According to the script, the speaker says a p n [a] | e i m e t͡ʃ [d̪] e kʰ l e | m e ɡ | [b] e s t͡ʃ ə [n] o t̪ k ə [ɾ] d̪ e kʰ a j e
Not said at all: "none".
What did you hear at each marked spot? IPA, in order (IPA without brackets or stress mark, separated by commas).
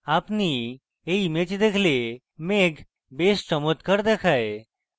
i, d̪, b, m, ɾ